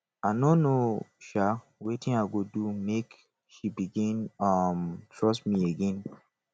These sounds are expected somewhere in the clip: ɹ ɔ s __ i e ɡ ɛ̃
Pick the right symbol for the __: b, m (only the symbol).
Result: m